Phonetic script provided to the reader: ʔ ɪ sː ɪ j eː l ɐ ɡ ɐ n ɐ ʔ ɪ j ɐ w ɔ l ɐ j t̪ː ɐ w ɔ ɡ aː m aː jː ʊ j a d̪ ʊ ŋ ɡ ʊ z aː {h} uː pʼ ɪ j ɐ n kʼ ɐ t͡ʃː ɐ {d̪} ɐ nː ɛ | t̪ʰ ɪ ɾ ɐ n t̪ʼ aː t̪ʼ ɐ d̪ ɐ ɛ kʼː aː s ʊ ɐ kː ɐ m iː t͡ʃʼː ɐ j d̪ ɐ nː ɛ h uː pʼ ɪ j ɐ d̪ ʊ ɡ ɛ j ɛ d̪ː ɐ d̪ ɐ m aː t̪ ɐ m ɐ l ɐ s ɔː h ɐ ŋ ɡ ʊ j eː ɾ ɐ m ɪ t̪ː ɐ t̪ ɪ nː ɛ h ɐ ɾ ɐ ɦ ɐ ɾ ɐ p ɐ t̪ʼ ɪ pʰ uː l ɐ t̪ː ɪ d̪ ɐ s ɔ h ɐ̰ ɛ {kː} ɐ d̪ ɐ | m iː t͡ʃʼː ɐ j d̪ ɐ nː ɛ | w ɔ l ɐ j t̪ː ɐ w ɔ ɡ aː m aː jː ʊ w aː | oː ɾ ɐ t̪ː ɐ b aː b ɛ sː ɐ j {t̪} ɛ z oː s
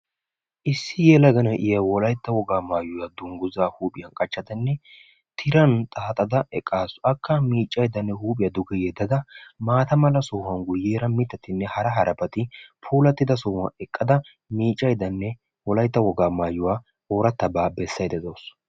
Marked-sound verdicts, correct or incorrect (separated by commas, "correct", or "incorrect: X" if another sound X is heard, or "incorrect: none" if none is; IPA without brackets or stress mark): correct, correct, incorrect: kʼː, incorrect: d̪